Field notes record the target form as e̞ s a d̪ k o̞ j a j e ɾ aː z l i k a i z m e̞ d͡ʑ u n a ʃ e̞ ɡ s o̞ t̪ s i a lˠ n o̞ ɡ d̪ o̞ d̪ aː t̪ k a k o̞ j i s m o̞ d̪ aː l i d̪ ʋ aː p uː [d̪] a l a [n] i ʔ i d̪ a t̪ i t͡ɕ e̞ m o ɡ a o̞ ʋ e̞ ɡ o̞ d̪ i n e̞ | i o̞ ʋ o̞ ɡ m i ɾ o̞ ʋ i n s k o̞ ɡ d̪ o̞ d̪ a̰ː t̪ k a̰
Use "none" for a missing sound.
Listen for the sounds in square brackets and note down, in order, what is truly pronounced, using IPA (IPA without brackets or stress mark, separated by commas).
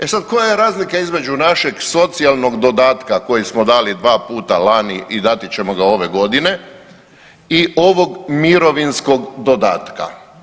t̪, n